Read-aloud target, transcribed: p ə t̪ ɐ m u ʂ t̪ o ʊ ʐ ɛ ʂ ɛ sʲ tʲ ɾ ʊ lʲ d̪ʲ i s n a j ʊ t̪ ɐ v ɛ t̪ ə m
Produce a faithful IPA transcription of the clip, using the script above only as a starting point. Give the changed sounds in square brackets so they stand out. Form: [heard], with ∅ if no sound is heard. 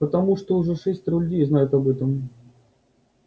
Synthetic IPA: p ə t̪ ɐ m u ʂ t̪ o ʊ ʐ ɛ ʂ ɛ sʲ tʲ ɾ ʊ lʲ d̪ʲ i [z] n a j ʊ t̪ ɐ [b] ɛ t̪ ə m